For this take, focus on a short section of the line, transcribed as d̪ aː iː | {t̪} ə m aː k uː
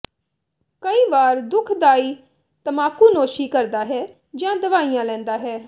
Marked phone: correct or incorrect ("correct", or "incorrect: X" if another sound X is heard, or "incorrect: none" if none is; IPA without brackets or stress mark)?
correct